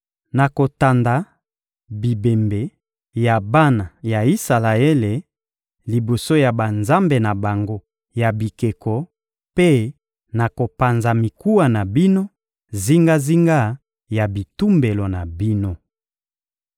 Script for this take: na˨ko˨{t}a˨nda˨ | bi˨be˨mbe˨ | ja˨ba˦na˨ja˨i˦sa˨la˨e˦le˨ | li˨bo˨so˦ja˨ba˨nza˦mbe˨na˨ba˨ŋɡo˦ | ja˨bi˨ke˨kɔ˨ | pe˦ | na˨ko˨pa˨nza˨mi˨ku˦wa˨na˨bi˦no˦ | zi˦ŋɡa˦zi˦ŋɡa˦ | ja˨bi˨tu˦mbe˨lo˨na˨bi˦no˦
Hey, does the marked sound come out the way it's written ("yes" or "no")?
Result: yes